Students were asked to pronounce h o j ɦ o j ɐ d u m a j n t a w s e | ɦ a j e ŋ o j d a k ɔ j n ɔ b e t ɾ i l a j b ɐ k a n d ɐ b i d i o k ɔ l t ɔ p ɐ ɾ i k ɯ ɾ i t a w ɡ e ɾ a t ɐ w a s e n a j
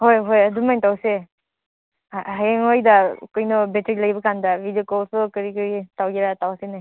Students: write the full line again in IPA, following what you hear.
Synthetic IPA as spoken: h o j ɦ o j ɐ d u m a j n t a w s e | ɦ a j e ŋ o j d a k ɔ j n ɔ b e t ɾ i l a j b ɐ k a n d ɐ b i d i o k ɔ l s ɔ k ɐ ɾ i k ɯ ɾ i t a w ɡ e ɾ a t a w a s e n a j